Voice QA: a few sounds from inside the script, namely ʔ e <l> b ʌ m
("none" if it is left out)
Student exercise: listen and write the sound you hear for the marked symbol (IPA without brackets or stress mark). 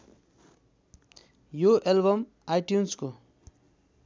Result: l